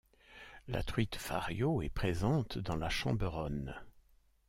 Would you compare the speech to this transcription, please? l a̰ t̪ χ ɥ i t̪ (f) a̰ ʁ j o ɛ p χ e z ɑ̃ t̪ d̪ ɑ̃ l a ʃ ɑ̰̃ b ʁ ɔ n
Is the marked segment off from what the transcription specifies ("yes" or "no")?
no